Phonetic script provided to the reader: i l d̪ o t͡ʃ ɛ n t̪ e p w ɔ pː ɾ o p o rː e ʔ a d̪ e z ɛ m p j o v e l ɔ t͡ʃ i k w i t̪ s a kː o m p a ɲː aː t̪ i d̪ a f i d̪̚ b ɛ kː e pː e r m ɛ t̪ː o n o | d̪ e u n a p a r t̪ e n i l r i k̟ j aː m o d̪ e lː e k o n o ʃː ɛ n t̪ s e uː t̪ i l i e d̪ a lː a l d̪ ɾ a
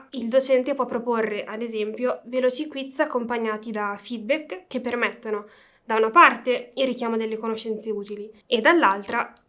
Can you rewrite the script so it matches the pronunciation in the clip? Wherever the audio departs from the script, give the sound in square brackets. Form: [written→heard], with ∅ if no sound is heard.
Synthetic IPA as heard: i l d̪ o t͡ʃ ɛ n t̪ e p w ɔ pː ɾ o p o rː e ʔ a d̪ e z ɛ m p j o v e l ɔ t͡ʃ i k w i t̪ s a kː o m p a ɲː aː t̪ i d̪ a f i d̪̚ b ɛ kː e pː e r m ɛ t̪ː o n o | d̪ [e→a] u n a p a r t̪ e [n→∅] i l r i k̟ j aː m o d̪ e lː e k o n o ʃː ɛ n t̪ s e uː t̪ i l i e d̪ a lː a l [d̪→t̪] ɾ a